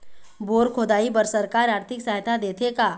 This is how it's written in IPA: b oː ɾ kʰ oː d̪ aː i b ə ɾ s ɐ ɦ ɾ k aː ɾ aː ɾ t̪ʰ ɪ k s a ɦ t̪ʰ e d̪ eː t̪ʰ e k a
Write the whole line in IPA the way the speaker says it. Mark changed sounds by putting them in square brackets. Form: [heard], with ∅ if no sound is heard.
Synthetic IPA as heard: b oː ɾ kʰ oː d̪ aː i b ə ɾ s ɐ [∅] ɾ k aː ɾ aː ɾ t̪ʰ ɪ k s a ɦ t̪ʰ [a] d̪ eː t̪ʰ e k a